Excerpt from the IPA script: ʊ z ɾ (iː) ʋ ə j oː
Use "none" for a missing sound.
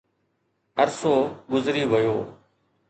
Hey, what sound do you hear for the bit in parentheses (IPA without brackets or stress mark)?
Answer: iː